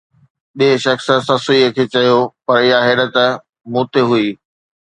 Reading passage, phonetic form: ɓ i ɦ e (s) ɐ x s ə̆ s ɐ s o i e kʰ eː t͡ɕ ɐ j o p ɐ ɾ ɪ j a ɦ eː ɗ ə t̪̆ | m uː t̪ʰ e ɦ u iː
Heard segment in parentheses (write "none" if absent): ʃ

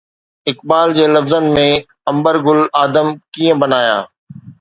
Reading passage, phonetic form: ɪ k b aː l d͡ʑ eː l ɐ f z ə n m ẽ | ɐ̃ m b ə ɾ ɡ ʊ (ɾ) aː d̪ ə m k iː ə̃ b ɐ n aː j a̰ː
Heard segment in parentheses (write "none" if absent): l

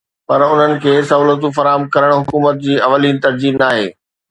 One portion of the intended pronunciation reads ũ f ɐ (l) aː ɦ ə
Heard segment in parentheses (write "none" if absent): ɾ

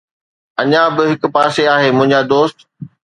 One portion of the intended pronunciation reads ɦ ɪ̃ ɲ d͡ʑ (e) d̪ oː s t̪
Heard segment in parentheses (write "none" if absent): a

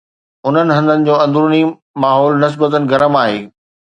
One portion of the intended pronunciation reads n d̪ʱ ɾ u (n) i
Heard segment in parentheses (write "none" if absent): n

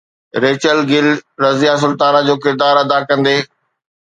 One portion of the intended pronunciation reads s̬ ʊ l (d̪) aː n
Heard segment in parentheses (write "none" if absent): t̪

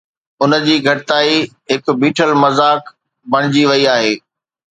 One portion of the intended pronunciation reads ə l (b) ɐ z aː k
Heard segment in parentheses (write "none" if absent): m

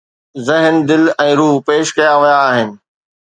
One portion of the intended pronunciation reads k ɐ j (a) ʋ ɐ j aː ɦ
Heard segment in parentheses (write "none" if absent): a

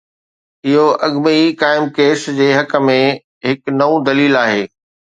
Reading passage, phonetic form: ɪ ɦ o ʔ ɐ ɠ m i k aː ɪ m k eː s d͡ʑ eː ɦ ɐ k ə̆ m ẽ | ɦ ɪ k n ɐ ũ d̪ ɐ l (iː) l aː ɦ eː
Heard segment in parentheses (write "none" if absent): iː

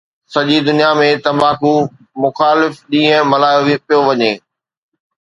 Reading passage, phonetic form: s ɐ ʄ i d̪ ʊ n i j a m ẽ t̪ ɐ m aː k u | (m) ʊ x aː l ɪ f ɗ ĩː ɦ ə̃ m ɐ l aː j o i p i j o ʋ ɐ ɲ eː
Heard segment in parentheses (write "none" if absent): m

